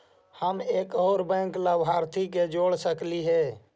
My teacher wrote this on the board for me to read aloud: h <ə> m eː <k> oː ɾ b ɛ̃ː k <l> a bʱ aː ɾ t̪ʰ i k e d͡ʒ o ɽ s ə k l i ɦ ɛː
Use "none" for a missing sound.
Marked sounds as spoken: ə, k, l

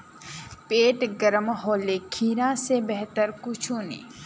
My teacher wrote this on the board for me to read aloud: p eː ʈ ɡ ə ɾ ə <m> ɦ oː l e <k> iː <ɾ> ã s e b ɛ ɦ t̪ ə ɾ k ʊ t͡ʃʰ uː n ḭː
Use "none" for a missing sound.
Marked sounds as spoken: m, kʰ, ɾ

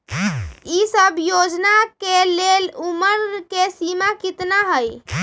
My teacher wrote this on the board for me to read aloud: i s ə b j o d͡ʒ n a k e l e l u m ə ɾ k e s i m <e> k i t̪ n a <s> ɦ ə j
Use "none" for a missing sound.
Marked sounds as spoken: a, none

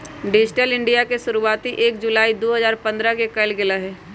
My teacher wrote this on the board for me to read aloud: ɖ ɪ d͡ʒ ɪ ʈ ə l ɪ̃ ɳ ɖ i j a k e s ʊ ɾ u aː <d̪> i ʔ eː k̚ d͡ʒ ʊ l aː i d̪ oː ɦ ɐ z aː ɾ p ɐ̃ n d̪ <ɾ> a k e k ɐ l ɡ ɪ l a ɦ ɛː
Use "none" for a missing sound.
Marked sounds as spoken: t̪, ɾ

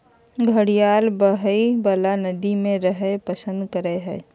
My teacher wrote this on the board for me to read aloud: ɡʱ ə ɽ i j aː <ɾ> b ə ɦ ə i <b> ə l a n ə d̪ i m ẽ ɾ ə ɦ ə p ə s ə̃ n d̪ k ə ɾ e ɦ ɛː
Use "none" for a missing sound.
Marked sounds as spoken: l, b

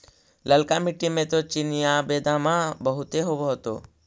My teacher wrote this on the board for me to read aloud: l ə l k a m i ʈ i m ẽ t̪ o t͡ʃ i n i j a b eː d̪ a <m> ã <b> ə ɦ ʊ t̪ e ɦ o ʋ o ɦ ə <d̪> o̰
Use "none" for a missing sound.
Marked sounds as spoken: m, b, t̪

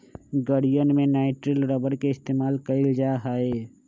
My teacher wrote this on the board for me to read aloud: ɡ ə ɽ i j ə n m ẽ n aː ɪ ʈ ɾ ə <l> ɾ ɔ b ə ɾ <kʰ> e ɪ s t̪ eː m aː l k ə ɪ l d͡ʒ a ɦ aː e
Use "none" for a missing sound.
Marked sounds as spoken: l, k

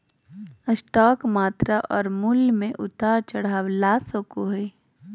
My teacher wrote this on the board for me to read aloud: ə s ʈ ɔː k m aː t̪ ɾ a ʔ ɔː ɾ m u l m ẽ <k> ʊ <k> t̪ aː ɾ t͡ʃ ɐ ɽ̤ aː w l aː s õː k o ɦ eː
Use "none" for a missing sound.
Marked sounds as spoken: ʔ, none

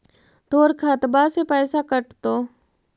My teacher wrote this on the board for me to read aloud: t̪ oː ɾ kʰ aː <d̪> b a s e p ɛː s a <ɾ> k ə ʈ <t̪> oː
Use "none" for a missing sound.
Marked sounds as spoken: t̪, none, t̪

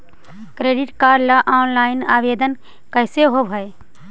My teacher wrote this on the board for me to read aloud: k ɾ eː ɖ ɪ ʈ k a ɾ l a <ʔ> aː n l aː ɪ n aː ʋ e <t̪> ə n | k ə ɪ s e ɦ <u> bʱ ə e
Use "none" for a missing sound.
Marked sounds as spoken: ʔ, d̪, o

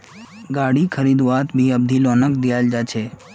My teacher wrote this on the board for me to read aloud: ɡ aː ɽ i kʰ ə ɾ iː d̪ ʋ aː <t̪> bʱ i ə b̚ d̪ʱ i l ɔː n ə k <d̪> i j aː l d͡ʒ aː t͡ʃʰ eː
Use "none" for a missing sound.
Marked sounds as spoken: t̪, d̪

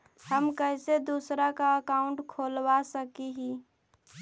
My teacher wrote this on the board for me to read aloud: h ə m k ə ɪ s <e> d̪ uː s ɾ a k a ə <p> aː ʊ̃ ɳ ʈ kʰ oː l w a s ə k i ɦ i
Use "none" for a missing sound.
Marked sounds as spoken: e, k

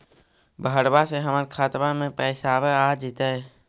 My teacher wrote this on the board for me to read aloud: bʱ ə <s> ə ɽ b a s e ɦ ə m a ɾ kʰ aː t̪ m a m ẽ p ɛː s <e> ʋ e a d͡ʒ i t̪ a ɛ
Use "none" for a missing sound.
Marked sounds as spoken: none, a

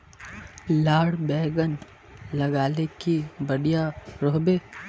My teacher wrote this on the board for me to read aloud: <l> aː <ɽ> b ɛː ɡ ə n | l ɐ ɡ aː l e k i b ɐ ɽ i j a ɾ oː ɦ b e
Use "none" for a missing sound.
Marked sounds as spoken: l, ɽ

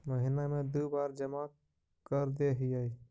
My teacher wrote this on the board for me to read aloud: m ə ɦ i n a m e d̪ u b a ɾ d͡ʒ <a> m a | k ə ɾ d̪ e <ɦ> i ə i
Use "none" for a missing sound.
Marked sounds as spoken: ə, ɦ

